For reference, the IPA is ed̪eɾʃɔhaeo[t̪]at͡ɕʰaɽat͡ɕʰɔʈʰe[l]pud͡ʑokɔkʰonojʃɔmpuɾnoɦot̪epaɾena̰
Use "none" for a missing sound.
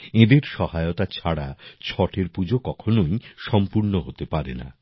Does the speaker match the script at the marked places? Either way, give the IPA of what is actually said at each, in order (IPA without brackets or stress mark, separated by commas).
t̪, ɾ